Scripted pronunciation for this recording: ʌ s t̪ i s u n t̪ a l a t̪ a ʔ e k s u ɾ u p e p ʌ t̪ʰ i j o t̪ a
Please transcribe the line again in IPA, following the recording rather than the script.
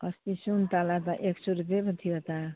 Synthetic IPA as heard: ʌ s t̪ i s u n t̪ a l a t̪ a ʔ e k s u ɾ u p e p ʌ t̪ʰ i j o t̪ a